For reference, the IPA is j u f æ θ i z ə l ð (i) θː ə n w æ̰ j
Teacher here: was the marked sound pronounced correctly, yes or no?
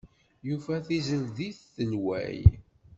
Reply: yes